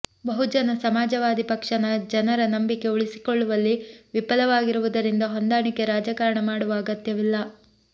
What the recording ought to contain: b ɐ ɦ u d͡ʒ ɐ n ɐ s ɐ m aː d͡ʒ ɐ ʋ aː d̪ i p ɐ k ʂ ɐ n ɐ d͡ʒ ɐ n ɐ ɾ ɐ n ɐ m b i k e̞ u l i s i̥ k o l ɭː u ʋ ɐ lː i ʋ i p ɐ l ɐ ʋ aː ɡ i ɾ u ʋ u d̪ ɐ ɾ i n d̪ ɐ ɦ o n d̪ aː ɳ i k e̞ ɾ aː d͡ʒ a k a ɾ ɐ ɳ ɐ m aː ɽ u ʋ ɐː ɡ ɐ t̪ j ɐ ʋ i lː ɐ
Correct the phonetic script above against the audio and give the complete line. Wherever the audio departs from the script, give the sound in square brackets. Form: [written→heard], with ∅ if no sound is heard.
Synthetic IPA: b ɐ ɦ u d͡ʒ ɐ n ɐ s ɐ m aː d͡ʒ ɐ ʋ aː d̪ i p ɐ k ʂ ɐ n ɐ d͡ʒ ɐ n ɐ ɾ ɐ n ɐ m b i k e̞ u [l→ɭ] i s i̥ k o [l→∅] ɭː u ʋ ɐ lː i ʋ i p ɐ l ɐ ʋ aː ɡ i ɾ u ʋ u d̪ ɐ ɾ i n d̪ ɐ ɦ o n d̪ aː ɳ i k e̞ ɾ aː d͡ʒ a k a ɾ ɐ ɳ ɐ m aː ɽ u ʋ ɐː ɡ ɐ t̪ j ɐ ʋ i lː ɐ

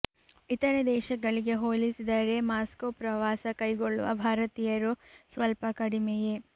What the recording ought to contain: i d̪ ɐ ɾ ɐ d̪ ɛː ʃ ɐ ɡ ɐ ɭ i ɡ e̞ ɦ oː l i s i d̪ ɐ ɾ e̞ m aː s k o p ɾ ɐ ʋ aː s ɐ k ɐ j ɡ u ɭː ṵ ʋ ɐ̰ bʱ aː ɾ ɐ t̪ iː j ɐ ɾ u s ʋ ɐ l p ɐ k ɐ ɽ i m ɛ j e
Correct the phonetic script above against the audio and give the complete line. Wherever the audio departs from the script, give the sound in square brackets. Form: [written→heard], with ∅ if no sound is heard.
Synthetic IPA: i [d̪→t̪] ɐ ɾ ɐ d̪ ɛː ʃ ɐ ɡ ɐ ɭ i ɡ e̞ ɦ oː l i s i d̪ ɐ ɾ e̞ m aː s k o p ɾ ɐ ʋ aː s ɐ k ɐ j ɡ [u→o] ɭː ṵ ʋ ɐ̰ bʱ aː ɾ ɐ t̪ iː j ɐ ɾ u s ʋ ɐ l p ɐ k ɐ ɽ i m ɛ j e

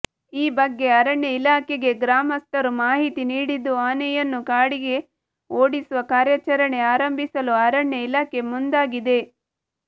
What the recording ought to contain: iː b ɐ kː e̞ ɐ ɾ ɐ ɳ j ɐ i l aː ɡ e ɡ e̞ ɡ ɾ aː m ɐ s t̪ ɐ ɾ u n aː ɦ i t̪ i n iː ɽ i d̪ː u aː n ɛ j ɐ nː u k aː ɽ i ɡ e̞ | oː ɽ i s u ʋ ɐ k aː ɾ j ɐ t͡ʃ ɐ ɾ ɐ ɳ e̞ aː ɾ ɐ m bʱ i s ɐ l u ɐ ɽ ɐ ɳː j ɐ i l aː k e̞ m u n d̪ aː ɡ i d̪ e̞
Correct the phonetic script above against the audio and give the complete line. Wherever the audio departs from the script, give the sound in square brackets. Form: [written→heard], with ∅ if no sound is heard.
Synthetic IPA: iː b ɐ [kː→ɡː] e̞ ɐ ɾ ɐ ɳ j ɐ i l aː [ɡ→k] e ɡ e̞ ɡ ɾ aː m ɐ s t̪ ɐ ɾ u [n→m] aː ɦ i t̪ i n iː ɽ i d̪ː u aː n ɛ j ɐ nː u k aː ɽ i ɡ e̞ | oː ɽ i s u ʋ ɐ k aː ɾ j ɐ t͡ʃ ɐ ɾ ɐ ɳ e̞ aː ɾ ɐ m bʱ i s ɐ l u ɐ [ɽ→ɾ] ɐ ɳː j ɐ i l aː k e̞ m u n d̪ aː ɡ i d̪ e̞

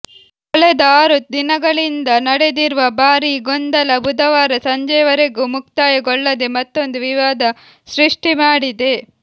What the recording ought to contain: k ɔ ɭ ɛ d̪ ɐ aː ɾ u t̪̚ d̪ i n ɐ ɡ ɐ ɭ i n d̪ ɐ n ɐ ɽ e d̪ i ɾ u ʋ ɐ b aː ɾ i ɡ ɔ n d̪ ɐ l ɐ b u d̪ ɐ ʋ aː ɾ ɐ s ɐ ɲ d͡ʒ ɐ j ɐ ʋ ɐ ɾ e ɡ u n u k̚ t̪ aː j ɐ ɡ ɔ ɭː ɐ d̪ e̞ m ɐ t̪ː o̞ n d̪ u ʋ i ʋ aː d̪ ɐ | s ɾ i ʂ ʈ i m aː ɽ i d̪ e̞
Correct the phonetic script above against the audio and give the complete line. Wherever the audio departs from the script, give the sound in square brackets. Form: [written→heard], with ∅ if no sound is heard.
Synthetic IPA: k ɔ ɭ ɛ d̪ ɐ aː ɾ u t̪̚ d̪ i n ɐ ɡ ɐ ɭ i n d̪ ɐ n ɐ ɽ e d̪ i ɾ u ʋ ɐ b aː ɾ i ɡ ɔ n d̪ ɐ l ɐ b u d̪ ɐ ʋ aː ɾ ɐ s ɐ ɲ d͡ʒ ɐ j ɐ ʋ ɐ ɾ e ɡ u [n→m] u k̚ t̪ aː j ɐ ɡ ɔ ɭː ɐ d̪ e̞ m ɐ t̪ː o̞ n d̪ u ʋ i ʋ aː d̪ ɐ | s ɾ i ʂ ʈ i m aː ɽ i d̪ e̞

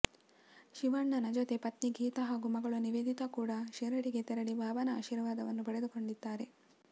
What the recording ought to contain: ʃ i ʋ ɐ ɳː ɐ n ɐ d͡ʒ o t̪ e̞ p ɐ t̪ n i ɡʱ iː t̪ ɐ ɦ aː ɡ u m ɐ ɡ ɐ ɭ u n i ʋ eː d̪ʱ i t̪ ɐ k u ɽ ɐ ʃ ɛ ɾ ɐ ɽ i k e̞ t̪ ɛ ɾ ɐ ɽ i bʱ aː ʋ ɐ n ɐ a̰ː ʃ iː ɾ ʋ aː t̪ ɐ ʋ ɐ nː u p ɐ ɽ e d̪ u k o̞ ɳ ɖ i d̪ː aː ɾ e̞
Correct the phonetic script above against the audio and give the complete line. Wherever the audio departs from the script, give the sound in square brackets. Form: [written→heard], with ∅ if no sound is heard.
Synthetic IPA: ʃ i ʋ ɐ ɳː ɐ n ɐ d͡ʒ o t̪ e̞ p ɐ t̪ n i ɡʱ iː t̪ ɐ ɦ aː ɡ u m ɐ ɡ ɐ ɭ u n i ʋ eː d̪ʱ i t̪ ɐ k [u→uː] ɽ ɐ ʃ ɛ ɾ ɐ ɽ i [k→ɡ] e̞ t̪ ɛ ɾ ɐ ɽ i bʱ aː ʋ ɐ n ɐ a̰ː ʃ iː ɾ ʋ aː [t̪→d̪] ɐ ʋ ɐ nː u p ɐ ɽ e d̪ u k o̞ ɳ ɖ i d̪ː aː ɾ e̞

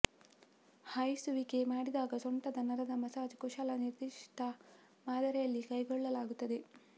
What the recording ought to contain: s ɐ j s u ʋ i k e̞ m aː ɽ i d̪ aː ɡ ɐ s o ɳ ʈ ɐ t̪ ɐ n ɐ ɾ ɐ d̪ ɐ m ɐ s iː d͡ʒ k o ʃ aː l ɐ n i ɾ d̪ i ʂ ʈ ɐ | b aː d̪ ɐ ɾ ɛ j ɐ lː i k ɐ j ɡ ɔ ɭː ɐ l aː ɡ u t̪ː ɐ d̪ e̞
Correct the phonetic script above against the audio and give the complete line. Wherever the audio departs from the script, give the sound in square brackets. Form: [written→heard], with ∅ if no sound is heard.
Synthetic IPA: [s→h] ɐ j s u ʋ i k e̞ m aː ɽ i d̪ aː ɡ ɐ s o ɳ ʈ ɐ [t̪→d̪] ɐ n ɐ ɾ ɐ d̪ ɐ m ɐ s [iː→aː] d͡ʒ k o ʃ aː l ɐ n i ɾ d̪ i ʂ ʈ ɐ | [b→m] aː d̪ ɐ ɾ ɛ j ɐ lː i k ɐ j ɡ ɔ ɭː ɐ l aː ɡ u t̪ː ɐ d̪ e̞

